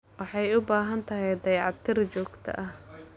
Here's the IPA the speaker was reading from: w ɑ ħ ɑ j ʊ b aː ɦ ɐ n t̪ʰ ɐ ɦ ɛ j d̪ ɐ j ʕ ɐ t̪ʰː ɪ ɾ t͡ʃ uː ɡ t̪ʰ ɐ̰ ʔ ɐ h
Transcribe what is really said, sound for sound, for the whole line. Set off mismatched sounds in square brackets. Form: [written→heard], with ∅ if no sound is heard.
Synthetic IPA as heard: w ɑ ħ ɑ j ʊ b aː ɦ ɐ n t̪ʰ ɐ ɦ ɛ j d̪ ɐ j ʕ [ɐ→ɑ] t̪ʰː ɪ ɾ t͡ʃ [uː→ɔː] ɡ t̪ʰ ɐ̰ ʔ ɐ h